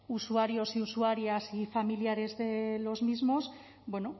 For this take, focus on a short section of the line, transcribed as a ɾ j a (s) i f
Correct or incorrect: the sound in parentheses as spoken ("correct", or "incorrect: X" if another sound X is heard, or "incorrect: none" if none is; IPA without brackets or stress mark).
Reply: correct